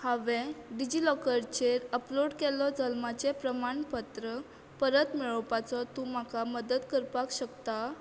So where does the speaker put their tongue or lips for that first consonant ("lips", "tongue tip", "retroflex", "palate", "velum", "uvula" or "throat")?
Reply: throat